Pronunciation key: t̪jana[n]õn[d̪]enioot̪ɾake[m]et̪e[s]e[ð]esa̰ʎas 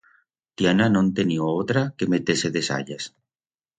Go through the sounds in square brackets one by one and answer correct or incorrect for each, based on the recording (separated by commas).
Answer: correct, incorrect, correct, correct, correct